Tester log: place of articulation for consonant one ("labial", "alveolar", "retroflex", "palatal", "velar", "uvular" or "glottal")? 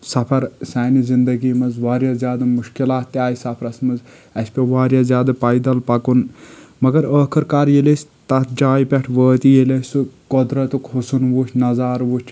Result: alveolar